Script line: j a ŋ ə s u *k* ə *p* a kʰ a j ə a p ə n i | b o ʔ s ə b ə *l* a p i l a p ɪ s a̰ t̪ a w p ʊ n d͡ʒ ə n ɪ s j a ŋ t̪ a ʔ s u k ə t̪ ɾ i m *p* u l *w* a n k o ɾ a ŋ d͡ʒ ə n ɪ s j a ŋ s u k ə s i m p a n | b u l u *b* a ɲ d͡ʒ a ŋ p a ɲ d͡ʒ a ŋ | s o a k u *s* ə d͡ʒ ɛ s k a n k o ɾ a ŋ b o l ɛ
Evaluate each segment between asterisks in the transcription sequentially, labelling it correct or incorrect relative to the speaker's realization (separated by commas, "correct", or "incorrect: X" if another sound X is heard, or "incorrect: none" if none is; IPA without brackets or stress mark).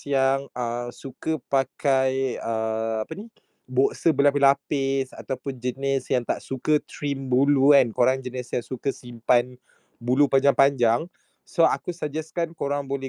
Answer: correct, correct, correct, incorrect: b, incorrect: u, incorrect: p, correct